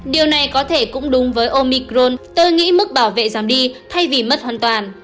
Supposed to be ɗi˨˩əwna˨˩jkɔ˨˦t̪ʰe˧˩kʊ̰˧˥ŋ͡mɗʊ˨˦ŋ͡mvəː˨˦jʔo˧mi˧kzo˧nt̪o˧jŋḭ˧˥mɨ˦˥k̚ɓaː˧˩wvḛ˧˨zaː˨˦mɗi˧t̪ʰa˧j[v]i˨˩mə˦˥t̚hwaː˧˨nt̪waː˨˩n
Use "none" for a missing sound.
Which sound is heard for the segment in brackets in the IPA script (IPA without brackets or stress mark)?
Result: v